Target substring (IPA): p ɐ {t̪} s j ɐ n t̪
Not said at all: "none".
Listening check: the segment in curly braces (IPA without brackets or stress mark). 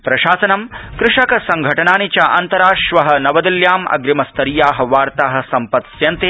t̪